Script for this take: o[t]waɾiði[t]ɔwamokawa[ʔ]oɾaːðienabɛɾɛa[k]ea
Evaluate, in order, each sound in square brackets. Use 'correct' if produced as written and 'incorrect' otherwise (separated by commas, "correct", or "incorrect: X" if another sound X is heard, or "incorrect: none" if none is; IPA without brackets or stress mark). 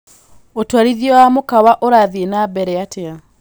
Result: correct, incorrect: none, correct, incorrect: t